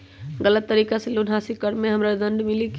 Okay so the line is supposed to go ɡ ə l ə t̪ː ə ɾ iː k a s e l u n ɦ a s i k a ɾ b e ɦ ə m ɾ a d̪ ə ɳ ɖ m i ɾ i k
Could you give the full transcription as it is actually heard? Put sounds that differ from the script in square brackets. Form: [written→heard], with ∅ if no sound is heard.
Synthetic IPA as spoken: ɡ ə l ə t̪ː ə ɾ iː k a s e l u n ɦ a s i k [a→ə] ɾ [b→m] e ɦ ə m ɾ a d̪ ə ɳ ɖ m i [ɾ→l] i k